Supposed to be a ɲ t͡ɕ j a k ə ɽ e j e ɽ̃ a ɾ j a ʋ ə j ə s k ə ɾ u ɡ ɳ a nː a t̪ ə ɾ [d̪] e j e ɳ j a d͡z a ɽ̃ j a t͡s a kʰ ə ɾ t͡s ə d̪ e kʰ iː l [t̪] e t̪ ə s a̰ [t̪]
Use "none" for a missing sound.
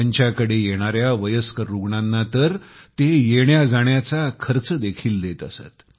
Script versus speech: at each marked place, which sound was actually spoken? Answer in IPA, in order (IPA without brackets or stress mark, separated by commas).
t̪, d̪, t̪